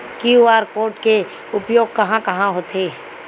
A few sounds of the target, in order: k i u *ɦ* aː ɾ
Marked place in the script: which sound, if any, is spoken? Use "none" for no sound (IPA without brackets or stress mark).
none